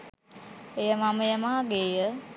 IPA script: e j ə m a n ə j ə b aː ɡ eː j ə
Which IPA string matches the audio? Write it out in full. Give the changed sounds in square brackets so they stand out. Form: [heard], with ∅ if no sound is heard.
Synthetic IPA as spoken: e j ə m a [m] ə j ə [m] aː ɡ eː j ə